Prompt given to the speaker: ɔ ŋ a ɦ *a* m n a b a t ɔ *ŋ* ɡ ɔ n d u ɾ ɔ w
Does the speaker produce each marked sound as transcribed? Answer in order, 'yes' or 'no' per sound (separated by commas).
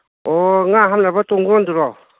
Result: yes, yes